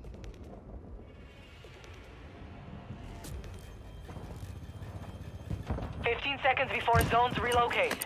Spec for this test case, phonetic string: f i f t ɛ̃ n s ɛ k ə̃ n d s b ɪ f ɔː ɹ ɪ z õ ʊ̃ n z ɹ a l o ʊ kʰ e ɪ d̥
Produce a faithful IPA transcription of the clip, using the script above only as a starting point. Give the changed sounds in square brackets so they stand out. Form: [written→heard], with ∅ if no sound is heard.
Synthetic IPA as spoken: f [i→ɪ] f t [ɛ̃→ĩ] n s ɛ k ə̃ n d [s→z] b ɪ f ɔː ɹ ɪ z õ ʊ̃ n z ɹ [a→i] l o ʊ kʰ e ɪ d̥

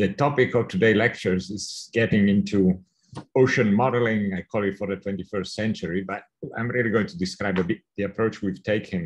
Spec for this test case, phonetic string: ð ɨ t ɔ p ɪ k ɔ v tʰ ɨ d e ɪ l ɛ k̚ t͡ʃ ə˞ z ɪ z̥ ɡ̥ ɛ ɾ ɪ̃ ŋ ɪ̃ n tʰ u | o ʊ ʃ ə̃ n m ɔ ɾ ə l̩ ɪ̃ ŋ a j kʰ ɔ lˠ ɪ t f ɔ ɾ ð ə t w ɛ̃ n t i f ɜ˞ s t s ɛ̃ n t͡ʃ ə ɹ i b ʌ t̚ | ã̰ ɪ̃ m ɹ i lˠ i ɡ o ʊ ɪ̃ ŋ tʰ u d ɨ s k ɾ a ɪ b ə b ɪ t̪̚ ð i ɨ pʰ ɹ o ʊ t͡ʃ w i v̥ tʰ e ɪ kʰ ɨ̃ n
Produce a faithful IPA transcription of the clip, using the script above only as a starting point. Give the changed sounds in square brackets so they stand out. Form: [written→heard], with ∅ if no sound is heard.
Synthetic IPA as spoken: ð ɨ t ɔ p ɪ k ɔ v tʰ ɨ d e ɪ l ɛ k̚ t͡ʃ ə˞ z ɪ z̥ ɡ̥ ɛ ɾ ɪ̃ ŋ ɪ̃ n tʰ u | o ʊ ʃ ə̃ n m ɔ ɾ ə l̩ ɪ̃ ŋ a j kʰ ɔ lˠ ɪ t f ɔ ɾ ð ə t w ɛ̃ n t i f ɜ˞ s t s ɛ̃ n t͡ʃ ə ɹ i b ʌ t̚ | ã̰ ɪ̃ m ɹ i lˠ i ɡ o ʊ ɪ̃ ŋ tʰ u d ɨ s k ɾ a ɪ b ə b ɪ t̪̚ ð i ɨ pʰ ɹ o ʊ t͡ʃ w i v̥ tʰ e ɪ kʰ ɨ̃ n

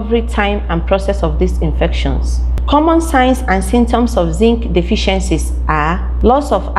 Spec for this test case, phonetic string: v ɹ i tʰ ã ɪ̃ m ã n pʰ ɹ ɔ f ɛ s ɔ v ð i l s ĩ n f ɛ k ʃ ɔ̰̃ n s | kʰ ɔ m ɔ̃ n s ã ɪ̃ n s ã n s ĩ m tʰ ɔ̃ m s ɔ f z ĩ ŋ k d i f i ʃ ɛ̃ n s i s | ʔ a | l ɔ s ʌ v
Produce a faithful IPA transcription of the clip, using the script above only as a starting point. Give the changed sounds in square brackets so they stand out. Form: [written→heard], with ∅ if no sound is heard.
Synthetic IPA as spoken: v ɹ i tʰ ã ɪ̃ m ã n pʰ ɹ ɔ [f→s] ɛ s ɔ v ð i [l→∅] s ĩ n f ɛ k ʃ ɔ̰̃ n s | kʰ ɔ m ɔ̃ n s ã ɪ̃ n s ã n s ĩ m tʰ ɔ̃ m s ɔ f z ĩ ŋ k d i f i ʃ ɛ̃ n s i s | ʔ a | l ɔ s [ʌ→ɔ] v

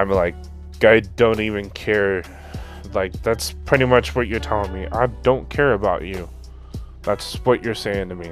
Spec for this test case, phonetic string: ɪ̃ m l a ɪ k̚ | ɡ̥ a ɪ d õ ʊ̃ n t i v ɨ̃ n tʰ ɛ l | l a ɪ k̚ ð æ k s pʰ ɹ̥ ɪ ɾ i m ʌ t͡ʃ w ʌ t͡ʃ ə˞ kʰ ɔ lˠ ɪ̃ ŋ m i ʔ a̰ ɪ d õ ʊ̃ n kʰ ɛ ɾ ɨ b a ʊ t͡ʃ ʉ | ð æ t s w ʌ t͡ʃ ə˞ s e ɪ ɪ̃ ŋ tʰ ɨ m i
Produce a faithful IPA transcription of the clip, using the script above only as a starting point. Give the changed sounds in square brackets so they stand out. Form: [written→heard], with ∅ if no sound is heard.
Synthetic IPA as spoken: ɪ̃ m l a ɪ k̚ | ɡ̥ a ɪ d õ ʊ̃ n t i v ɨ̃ n [tʰ→kʰ] ɛ [l→ɹ] | l a ɪ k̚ ð æ [k→t] s pʰ ɹ̥ ɪ ɾ i m ʌ t͡ʃ w ʌ t͡ʃ ə˞ [kʰ→tʰ] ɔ lˠ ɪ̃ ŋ m i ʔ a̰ ɪ d õ ʊ̃ n kʰ ɛ [ɾ→ɹ] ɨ b a ʊ t͡ʃ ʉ | ð æ t s w ʌ t͡ʃ ə˞ s e ɪ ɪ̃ ŋ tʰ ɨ m i

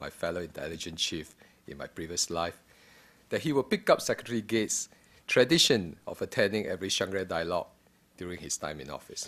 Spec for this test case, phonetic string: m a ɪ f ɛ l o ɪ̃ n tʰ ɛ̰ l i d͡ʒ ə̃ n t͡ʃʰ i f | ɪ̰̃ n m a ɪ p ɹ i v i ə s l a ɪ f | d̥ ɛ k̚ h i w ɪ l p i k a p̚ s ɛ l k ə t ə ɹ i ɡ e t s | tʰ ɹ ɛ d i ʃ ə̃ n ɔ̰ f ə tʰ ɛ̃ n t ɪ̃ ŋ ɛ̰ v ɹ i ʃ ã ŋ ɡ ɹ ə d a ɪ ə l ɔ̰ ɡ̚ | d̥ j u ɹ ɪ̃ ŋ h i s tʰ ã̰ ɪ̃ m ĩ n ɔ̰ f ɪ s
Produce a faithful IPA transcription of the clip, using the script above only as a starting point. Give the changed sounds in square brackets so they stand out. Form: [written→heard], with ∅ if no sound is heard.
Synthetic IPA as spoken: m a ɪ f ɛ l o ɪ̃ n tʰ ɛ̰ l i d͡ʒ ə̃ n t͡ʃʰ i f | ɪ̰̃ n m a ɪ p ɹ i v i ə s l a ɪ f | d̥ ɛ [k̚→t̚] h i w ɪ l p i k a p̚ s ɛ [l→∅] k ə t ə ɹ i ɡ e t s | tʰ ɹ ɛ d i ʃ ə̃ n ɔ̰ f ə tʰ ɛ̃ n [t→d] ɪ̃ ŋ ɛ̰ v ɹ i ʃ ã ŋ ɡ ɹ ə d a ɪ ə l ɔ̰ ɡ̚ | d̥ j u ɹ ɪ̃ ŋ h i s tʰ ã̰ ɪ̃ m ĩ n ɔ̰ f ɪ s

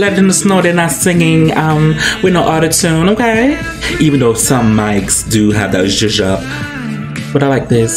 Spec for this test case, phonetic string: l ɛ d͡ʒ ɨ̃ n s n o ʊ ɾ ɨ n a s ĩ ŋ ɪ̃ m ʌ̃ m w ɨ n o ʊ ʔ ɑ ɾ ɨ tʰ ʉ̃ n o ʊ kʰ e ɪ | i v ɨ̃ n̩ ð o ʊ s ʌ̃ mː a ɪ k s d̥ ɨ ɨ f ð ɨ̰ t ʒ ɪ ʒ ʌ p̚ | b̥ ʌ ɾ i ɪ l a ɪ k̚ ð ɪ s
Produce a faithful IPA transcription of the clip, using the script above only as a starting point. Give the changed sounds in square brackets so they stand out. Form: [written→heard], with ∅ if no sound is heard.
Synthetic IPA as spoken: l ɛ d͡ʒ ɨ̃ n s n o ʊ ɾ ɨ n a s [ĩ→ɪ̃] ŋ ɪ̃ [m→ŋ] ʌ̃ m w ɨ n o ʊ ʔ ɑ ɾ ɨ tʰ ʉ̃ n o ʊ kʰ e ɪ | i v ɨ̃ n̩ ð o ʊ s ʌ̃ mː a ɪ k s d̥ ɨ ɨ [f→v] ð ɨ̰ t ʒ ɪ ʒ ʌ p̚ | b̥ ʌ ɾ [i→a] ɪ l a ɪ k̚ ð ɪ s

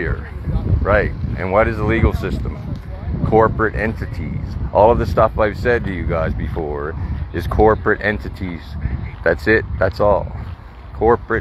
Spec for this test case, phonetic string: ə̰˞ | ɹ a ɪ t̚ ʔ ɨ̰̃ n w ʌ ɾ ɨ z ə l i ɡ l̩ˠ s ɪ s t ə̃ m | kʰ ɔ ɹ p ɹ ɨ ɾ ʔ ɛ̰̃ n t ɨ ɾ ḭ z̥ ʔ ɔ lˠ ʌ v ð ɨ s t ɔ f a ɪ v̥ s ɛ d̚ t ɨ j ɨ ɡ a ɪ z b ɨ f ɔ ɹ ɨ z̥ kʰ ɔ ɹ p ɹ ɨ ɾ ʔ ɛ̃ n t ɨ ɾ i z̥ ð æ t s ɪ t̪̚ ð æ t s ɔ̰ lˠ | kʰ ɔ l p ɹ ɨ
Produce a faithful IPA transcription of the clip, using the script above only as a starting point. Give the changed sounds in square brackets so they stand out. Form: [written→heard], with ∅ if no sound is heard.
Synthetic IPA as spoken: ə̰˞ | ɹ a ɪ t̚ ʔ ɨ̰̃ n w ʌ ɾ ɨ z ə l i ɡ l̩ˠ s ɪ s t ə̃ m | kʰ ɔ ɹ p ɹ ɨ ɾ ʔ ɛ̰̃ n t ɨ ɾ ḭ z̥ ʔ ɔ lˠ ʌ v ð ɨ s t [ɔ→ʌ] f a ɪ v̥ s ɛ d̚ t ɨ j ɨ ɡ a ɪ z b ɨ f ɔ ɹ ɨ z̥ kʰ ɔ ɹ p ɹ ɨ ɾ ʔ ɛ̃ n t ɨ ɾ i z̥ ð æ t s ɪ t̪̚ ð æ t s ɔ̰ lˠ | kʰ ɔ [l→ɹ] p ɹ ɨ

